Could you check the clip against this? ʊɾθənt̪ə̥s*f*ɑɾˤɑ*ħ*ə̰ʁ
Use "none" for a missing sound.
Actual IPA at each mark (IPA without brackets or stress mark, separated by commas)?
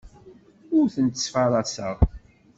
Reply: f, s